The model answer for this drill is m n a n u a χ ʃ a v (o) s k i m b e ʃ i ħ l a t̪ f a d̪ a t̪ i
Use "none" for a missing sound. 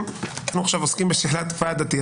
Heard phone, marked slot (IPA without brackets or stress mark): o